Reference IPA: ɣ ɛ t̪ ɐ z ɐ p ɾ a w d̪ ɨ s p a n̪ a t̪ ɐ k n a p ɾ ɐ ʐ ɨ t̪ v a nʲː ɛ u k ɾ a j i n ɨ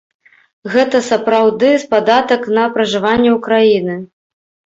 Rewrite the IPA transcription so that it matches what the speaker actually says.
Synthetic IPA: ɣ ɛ t̪ ɐ s ɐ p ɾ a w d̪ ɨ s p a d̪ a t̪ ɐ k n ɐ p ɾ ɐ ʐ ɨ v a nʲː ɛ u k ɾ a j i n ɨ